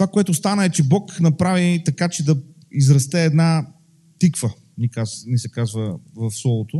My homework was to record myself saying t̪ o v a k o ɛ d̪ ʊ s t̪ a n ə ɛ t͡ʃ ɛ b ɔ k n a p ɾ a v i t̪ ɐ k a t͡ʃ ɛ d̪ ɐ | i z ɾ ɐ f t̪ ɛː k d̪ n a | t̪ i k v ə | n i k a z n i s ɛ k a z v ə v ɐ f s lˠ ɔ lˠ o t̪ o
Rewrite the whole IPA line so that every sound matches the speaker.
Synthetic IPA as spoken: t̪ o v a k o ɛ t̪ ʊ s t̪ a n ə ɛ t͡ʃ ɛ b ɔ k n ɐ p ɾ a v i t̪ ɐ k a t͡ʃ ɛ d̪ ɐ | i z ɾ ɐ s t̪ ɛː d̪ n a | t̪ i k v ə | n i k a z n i s ɛ k a z v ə v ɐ f s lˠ ɔ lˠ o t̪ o